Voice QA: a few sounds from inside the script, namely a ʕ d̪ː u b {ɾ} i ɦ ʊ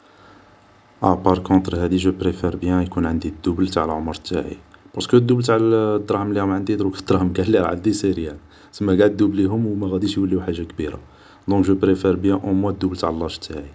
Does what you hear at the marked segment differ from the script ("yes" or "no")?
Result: yes